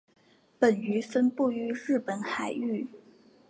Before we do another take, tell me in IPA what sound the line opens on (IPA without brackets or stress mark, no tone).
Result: p